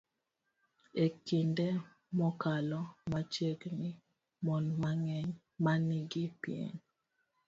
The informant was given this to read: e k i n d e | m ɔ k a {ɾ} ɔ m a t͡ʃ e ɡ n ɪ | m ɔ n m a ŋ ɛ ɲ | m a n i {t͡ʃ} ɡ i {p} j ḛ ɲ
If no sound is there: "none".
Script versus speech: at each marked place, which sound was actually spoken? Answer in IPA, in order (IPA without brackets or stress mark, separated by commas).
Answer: l, none, p